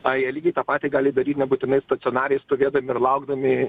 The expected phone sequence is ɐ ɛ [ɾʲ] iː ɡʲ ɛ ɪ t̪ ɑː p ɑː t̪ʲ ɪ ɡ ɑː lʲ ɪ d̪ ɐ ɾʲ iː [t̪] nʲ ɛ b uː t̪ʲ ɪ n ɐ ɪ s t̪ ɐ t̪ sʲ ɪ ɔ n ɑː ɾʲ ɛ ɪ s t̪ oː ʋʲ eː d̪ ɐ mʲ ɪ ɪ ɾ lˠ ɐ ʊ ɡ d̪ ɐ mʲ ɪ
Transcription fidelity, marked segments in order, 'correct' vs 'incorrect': incorrect: lʲ, correct

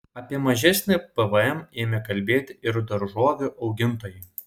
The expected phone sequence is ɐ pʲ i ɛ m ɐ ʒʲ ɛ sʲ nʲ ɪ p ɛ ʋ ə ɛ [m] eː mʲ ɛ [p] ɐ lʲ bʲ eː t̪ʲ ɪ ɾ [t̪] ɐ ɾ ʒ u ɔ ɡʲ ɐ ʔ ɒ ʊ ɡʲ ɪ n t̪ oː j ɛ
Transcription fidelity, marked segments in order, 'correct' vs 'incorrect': correct, incorrect: k, incorrect: d̪

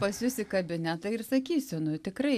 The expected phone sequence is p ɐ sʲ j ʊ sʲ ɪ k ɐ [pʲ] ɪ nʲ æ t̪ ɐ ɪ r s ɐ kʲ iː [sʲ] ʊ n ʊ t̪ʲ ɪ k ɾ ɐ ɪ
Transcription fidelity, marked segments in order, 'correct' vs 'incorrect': incorrect: bʲ, correct

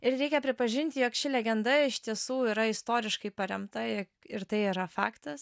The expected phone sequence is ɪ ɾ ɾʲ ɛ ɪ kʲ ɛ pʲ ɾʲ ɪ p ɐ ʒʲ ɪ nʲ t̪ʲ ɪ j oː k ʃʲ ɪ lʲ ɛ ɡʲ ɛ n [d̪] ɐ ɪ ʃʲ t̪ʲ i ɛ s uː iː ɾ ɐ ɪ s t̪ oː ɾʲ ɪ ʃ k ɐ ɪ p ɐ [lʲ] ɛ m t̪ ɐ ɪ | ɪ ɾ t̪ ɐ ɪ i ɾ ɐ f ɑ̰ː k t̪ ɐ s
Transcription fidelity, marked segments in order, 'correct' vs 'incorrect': correct, incorrect: ɾʲ

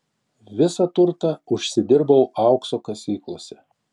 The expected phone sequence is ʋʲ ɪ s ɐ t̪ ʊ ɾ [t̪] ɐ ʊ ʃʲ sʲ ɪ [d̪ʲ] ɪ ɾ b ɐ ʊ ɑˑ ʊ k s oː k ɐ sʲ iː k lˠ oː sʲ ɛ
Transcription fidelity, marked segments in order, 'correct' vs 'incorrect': correct, correct

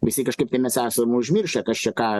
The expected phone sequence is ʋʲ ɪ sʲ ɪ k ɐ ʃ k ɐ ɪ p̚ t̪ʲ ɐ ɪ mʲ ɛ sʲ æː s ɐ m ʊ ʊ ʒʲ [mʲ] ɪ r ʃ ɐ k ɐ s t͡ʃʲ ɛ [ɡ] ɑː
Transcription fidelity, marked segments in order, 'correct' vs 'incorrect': correct, incorrect: k

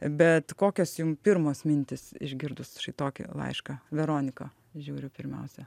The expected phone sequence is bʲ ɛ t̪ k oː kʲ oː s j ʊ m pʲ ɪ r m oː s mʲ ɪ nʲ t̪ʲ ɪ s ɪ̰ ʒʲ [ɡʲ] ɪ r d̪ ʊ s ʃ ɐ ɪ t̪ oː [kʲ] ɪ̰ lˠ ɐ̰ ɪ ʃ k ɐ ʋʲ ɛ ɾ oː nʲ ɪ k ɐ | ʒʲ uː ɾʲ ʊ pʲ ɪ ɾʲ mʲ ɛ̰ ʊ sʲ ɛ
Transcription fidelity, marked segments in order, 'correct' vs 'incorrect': correct, correct

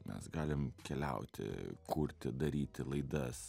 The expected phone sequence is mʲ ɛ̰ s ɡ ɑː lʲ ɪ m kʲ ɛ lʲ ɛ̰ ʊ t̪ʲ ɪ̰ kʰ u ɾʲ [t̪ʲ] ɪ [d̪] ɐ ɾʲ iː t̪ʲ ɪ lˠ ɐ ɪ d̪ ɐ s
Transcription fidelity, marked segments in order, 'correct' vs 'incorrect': correct, correct

